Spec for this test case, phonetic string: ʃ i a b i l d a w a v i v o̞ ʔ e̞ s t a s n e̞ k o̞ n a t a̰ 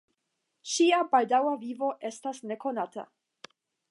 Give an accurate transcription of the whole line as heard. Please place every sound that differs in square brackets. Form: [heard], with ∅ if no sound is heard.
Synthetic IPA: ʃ i a b [a] l d a w a v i v o̞ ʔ e̞ s t a s n e̞ k o̞ n a t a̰